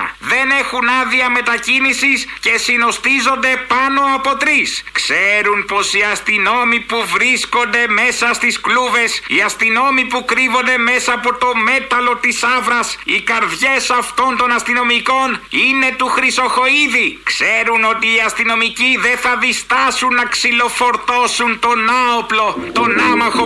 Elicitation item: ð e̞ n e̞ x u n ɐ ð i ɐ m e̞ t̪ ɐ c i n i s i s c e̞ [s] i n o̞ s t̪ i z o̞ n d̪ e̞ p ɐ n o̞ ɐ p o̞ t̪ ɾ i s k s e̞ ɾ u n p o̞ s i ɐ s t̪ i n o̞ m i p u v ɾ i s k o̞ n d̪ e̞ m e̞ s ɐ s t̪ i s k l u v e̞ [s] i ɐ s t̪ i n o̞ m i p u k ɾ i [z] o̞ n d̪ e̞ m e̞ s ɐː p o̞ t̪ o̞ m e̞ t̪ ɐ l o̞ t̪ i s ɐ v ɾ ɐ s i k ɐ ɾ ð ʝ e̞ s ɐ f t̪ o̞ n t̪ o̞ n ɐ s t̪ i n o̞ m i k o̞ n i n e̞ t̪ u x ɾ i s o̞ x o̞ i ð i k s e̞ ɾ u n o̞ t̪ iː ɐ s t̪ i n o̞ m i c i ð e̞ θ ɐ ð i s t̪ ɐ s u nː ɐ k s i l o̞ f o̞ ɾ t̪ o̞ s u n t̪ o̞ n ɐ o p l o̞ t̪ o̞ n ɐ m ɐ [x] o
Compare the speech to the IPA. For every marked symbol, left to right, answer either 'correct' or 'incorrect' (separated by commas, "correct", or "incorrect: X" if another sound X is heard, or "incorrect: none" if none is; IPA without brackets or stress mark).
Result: correct, correct, incorrect: v, correct